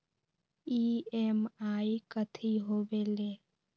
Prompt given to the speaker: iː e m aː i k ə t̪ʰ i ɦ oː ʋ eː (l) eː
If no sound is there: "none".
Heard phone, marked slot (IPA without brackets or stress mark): l